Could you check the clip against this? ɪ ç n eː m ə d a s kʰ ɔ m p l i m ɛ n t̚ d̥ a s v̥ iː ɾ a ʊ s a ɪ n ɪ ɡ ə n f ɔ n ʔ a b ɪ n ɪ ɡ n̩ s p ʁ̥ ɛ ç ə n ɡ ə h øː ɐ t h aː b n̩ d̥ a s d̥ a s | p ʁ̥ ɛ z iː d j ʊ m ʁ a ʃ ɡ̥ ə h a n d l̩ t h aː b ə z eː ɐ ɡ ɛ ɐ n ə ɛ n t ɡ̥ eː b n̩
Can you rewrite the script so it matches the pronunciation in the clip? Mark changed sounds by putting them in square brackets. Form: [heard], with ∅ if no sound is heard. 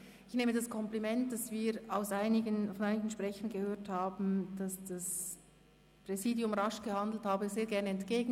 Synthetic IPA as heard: ɪ ç n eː m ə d a s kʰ ɔ m p l i m ɛ n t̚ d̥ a s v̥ iː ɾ a ʊ s a ɪ n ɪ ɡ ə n f ɔ n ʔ a [∅] ɪ n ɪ ɡ n̩ [ʃ] p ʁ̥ ɛ ç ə n ɡ ə h øː ɐ t h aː b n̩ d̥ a s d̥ a s | p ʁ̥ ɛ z iː d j ʊ m ʁ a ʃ ɡ̥ ə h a n d l̩ t h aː b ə z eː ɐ ɡ ɛ ɐ n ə ɛ n t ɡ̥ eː [ɡ] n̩

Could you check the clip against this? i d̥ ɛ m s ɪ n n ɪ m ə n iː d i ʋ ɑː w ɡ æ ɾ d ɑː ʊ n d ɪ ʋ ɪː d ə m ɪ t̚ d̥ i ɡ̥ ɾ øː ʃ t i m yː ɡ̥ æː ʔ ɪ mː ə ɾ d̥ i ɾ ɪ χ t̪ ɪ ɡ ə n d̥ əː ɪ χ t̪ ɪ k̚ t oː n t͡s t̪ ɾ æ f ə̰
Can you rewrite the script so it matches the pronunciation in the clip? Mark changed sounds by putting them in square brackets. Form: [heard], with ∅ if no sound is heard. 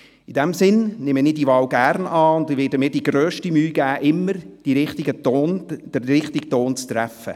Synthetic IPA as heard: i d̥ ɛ m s ɪ n n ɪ m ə n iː d i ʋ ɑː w ɡ æ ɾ [n] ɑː ʊ n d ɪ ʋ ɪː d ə m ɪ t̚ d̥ i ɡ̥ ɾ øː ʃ t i m yː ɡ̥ æː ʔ ɪ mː ə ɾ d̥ i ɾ ɪ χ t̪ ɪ ɡ ə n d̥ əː ɪ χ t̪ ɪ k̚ t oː n t͡s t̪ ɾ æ f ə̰

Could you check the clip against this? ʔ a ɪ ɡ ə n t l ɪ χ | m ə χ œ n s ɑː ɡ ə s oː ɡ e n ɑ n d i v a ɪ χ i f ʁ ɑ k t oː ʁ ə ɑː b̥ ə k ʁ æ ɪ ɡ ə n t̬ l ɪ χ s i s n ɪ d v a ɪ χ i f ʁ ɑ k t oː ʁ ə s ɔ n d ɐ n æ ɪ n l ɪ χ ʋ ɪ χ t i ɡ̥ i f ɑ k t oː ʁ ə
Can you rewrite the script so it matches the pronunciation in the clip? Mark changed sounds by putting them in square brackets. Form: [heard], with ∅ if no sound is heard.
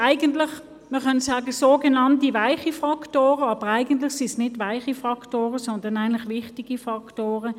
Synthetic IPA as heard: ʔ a ɪ ɡ ə n t l ɪ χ | m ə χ œ n s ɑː ɡ ə s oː ɡ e n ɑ n [t] i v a ɪ χ i f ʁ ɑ k t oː ʁ ə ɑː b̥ ə [∅] ʁ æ ɪ ɡ ə n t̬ l ɪ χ s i s n ɪ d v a ɪ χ i f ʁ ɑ k t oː ʁ ə s ɔ n d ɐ n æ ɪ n l ɪ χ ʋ ɪ χ t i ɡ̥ i f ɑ k t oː ʁ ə

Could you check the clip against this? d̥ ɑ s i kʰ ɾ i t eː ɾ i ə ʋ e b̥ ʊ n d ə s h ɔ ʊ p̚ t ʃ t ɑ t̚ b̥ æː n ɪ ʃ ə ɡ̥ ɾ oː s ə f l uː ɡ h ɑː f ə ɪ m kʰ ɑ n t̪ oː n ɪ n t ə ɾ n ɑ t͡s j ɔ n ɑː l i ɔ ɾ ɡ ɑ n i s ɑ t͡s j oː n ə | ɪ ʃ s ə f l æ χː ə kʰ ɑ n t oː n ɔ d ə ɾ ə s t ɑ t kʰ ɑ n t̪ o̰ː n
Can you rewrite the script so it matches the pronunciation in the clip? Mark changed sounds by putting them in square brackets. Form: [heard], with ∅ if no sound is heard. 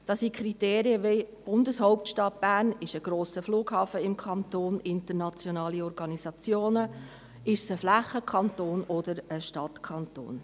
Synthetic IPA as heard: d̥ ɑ s i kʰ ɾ i t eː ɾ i ə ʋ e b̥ ʊ n d ə s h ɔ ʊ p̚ t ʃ t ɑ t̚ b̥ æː n ɪ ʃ ə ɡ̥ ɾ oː s ə f l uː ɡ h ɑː f ə ɪ m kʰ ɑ n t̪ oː n ɪ n t ə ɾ n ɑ t͡s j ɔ n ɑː l i ɔ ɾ ɡ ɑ n i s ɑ t͡s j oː n ə | ɪ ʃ s ə f l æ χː ə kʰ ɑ n t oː n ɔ d ə ɾ ə [ʃ] t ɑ t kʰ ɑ n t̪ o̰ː n

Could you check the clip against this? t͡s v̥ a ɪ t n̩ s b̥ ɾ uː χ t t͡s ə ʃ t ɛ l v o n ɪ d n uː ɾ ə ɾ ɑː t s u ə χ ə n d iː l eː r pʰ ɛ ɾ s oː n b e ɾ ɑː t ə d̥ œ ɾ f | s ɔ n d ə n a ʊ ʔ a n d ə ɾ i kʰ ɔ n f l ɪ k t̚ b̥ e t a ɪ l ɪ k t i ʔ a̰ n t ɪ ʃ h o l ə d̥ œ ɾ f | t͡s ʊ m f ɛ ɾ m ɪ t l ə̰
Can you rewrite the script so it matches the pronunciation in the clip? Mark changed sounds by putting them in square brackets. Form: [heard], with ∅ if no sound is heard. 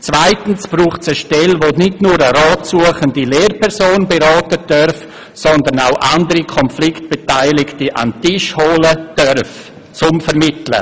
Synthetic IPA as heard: t͡s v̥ a ɪ t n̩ s b̥ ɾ uː χ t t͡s ə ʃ t ɛ l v o n ɪ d n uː ɾ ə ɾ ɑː t s u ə χ ə n d [i] l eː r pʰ ɛ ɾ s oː n b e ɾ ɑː t ə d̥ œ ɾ f | s ɔ n d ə n a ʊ ʔ a n d ə ɾ i kʰ ɔ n f l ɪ k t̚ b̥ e t a ɪ l ɪ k t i ʔ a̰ n t ɪ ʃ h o l ə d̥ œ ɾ f | t͡s ʊ m f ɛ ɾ m ɪ t l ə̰

